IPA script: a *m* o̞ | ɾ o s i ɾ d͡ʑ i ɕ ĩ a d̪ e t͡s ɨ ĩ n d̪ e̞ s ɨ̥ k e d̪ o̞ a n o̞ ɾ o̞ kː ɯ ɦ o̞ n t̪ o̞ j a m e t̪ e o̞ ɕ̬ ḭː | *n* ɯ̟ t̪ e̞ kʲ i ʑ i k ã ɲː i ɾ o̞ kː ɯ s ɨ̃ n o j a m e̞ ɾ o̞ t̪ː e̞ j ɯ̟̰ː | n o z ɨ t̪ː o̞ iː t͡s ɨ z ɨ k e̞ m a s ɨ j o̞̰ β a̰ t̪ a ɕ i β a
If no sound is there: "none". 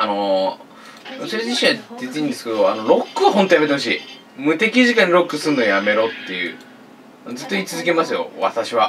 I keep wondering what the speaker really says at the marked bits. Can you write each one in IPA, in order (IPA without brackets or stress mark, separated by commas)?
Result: n, m